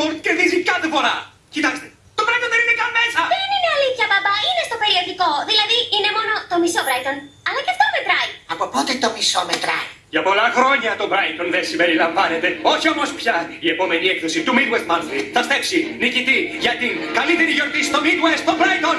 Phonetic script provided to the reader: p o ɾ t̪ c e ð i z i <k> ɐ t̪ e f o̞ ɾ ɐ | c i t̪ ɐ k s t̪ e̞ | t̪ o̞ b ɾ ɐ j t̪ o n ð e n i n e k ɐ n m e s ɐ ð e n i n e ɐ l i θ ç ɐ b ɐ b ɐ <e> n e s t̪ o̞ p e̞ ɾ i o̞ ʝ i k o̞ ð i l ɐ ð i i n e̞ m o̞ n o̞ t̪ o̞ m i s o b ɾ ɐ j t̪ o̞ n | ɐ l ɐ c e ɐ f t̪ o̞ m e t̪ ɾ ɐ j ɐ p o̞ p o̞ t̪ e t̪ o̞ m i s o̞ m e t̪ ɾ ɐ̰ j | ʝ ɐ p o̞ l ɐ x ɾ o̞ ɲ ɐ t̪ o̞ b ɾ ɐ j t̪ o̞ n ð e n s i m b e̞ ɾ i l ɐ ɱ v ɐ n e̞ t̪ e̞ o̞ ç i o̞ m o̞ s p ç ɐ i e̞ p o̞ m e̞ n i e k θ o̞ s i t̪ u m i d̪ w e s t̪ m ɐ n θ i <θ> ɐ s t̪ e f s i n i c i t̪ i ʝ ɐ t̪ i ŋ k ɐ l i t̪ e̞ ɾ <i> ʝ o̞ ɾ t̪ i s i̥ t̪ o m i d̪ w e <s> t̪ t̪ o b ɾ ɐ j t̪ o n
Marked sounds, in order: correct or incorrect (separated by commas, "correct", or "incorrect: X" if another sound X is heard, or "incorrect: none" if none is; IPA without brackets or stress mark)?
correct, incorrect: i, correct, correct, correct